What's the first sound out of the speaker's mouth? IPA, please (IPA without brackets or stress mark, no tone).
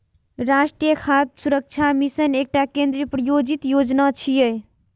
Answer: ɾ